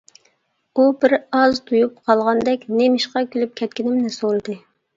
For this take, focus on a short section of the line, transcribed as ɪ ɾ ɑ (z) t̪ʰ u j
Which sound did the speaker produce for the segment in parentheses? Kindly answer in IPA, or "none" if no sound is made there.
z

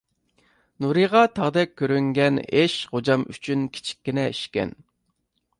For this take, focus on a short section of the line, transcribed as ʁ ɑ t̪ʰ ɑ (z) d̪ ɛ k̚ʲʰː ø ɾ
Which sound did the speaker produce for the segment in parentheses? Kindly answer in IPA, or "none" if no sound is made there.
ʁ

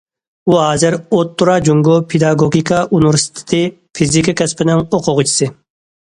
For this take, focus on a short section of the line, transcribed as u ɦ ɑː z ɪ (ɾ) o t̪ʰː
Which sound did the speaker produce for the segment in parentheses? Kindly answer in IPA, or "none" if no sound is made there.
ɾ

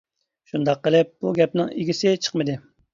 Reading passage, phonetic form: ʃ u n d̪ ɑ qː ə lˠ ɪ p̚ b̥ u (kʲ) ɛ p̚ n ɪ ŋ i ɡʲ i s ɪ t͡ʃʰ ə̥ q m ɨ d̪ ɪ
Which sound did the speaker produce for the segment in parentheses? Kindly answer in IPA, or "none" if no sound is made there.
ɡʲ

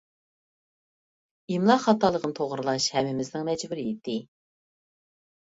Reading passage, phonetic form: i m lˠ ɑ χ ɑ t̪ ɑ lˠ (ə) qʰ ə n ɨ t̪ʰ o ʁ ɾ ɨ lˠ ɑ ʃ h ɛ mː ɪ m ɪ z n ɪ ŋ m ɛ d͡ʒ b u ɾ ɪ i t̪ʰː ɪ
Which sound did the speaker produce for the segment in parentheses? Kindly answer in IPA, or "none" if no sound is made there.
ə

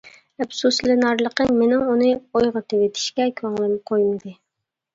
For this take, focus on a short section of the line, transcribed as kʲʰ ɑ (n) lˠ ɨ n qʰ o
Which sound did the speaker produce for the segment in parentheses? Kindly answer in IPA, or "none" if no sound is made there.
ŋ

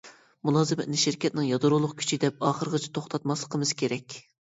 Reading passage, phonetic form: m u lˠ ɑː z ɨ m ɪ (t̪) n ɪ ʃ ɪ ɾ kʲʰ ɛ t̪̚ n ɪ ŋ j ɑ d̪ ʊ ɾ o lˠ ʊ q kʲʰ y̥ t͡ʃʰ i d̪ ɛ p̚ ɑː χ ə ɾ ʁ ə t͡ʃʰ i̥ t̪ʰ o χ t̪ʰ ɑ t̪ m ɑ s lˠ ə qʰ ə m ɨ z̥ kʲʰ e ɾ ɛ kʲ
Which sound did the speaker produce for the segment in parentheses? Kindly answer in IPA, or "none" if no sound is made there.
t̪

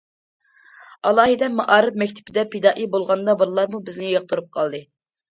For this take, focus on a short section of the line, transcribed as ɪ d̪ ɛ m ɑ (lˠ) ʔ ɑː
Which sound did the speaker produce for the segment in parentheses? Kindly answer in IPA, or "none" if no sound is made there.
none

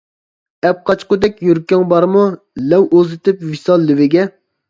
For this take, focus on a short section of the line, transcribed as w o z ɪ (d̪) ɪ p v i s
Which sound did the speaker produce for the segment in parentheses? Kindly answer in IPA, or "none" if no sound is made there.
t̪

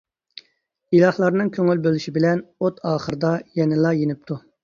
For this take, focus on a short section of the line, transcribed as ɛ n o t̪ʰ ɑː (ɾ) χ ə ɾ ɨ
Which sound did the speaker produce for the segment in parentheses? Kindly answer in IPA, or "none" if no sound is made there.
none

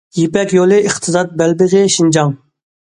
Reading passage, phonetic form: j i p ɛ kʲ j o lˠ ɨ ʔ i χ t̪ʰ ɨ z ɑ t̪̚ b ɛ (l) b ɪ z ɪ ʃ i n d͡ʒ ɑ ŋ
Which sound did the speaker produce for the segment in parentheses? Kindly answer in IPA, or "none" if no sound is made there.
l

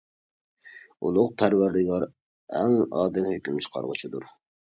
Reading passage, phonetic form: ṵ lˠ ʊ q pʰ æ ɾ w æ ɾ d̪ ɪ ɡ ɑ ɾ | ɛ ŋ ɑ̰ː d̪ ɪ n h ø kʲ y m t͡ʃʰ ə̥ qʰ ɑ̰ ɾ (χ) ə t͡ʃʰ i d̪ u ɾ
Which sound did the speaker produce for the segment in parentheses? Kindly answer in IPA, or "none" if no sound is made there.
ʁ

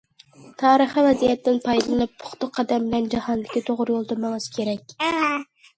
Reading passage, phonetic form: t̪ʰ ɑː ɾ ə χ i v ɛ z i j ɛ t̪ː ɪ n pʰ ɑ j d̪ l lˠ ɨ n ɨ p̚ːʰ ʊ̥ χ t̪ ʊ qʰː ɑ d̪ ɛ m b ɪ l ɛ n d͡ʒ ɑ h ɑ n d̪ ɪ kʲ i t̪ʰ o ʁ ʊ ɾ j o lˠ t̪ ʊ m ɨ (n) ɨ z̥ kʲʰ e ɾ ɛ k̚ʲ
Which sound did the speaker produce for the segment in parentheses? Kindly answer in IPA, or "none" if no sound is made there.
ŋ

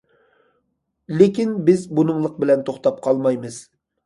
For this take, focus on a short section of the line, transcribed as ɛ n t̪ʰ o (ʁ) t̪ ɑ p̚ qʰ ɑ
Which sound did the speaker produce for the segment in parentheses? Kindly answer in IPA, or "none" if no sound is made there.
χ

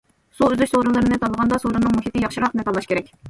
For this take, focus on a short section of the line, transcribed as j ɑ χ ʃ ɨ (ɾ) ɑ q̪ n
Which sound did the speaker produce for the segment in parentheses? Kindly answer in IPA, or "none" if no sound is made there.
ɾ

